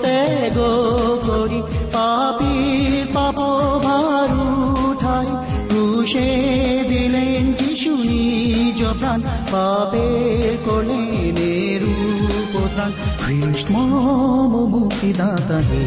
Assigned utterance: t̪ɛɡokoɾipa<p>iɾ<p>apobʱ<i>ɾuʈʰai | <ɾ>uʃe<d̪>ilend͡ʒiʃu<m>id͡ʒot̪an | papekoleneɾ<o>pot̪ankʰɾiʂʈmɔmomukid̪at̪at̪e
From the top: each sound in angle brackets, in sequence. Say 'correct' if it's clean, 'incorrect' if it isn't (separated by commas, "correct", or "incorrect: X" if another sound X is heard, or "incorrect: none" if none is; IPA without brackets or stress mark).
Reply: correct, correct, incorrect: a, correct, correct, incorrect: n, incorrect: u